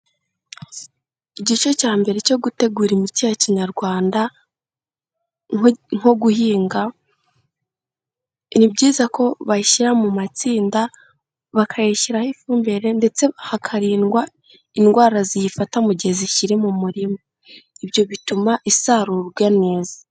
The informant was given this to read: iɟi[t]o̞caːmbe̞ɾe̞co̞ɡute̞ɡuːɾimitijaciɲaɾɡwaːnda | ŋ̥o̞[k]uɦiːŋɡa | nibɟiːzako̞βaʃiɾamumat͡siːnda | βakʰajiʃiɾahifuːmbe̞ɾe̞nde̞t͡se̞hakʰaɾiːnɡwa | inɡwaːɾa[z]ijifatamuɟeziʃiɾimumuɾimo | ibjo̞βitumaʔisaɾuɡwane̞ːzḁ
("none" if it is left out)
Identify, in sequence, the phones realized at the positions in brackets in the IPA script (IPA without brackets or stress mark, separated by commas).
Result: t͡ʃ, ɡ, z